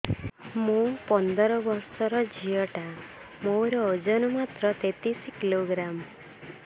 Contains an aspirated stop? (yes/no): no